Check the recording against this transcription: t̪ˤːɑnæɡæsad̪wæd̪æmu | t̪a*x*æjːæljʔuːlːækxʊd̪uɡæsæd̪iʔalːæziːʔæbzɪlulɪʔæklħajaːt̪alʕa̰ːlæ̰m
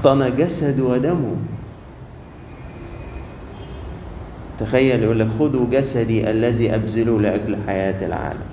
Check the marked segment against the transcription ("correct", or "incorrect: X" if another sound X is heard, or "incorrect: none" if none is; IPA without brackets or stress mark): correct